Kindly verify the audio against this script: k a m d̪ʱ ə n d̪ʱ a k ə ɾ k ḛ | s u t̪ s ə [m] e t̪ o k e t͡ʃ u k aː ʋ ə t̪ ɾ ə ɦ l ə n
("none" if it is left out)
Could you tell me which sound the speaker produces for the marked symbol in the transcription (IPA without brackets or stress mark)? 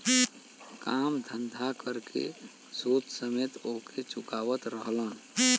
m